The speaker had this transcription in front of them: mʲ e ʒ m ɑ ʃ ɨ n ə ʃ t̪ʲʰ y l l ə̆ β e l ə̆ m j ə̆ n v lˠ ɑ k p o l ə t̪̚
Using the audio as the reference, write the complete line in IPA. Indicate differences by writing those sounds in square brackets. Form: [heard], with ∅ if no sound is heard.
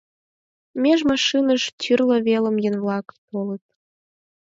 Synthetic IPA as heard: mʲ e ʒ m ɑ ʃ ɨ n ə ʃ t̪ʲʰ y [r] l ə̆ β e l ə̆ m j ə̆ n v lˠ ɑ k p o l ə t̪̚